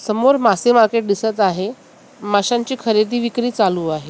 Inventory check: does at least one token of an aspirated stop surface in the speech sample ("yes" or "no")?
yes